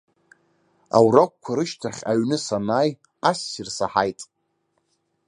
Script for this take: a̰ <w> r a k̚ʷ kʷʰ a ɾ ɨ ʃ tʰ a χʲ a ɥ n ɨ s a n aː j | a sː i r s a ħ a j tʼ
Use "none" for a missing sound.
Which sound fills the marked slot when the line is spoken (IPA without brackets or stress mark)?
w